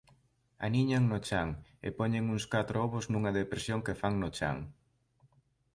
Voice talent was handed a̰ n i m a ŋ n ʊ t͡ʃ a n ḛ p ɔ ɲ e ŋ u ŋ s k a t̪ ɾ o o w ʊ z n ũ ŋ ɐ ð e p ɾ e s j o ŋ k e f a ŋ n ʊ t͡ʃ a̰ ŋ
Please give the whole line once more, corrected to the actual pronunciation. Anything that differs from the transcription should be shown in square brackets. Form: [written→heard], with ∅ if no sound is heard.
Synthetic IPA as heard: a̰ n i [m→ɲ] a ŋ n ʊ t͡ʃ a [n→ŋ] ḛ p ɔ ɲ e ŋ u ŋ s k a t̪ ɾ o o [w→β] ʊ z n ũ ŋ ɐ ð e p ɾ e s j o ŋ k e f a ŋ n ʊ t͡ʃ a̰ ŋ

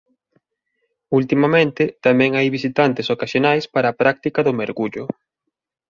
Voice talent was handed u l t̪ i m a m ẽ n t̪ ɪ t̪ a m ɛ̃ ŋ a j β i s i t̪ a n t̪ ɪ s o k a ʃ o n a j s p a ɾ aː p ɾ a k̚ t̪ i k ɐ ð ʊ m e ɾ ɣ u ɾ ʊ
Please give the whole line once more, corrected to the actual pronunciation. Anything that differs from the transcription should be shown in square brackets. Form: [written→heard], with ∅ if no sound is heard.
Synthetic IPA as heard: u l t̪ i m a m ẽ n t̪ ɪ t̪ a m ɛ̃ ŋ a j β i s i t̪ a n t̪ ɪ s o k a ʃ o n a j s p a ɾ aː p ɾ a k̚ t̪ i k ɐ ð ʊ m e ɾ ɣ u [ɾ→ʎ] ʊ

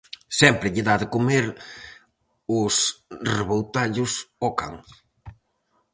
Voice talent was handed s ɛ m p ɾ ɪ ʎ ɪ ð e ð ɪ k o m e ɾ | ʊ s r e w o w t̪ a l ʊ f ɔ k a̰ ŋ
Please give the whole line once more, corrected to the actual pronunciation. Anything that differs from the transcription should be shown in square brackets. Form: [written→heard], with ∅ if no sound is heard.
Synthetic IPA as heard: s ɛ m p ɾ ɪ ʎ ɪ ð [e→a] ð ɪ k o m e ɾ | ʊ s r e [w→β] o w t̪ a [l→ʎ] ʊ [f→s] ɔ k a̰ ŋ

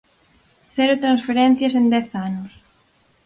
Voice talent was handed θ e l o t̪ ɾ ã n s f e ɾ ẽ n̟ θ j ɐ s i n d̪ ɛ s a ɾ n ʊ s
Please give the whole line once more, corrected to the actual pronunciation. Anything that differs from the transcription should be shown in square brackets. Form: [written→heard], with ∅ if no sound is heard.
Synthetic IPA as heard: θ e [l→ɾ] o t̪ ɾ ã n s f e ɾ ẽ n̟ θ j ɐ s [i→e] n d̪ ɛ [s→θ] a [ɾ→∅] n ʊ s

